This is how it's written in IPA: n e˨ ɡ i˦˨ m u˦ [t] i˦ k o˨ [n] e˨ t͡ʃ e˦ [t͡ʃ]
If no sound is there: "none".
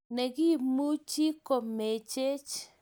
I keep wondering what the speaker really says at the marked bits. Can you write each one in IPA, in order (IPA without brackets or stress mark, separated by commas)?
t͡ʃ, m, t͡ʃ